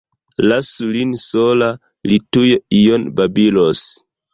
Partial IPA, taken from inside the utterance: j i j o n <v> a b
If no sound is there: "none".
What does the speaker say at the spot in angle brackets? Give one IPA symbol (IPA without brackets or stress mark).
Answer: b